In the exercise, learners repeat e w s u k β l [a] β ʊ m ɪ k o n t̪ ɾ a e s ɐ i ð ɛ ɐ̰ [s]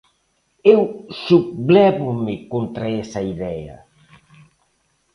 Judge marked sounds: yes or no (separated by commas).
no, no